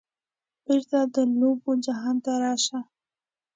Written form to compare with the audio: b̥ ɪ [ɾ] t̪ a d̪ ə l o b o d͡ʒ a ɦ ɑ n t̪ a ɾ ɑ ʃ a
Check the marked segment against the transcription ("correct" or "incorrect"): correct